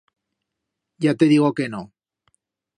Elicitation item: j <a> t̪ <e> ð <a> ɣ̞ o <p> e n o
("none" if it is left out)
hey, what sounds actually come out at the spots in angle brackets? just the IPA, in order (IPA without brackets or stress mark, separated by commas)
a, e, i, k